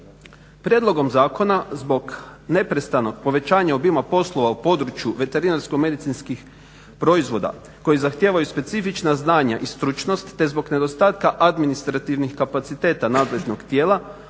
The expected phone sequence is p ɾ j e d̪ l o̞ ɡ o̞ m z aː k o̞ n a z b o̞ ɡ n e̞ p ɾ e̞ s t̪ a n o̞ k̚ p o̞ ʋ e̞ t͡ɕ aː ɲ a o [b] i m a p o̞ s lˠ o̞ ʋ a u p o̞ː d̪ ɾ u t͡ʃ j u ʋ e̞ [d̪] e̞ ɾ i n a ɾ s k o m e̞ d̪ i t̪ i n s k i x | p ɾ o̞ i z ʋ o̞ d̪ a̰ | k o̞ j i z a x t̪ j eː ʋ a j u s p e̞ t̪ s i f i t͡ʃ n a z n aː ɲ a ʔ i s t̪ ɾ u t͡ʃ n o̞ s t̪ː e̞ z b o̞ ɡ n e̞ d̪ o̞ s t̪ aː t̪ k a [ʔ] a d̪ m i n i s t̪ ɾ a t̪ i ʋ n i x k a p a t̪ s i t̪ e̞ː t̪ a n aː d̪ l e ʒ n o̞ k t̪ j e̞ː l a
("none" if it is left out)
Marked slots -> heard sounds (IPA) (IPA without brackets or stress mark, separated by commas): b, t̪, ʔ